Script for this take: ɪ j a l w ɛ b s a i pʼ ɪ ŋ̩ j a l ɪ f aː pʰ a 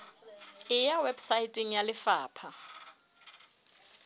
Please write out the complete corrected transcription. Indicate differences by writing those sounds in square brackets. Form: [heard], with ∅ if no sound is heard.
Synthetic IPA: ɪ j a [∅] w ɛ b s a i [tʼ] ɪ ŋ̩ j a l ɪ f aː pʰ a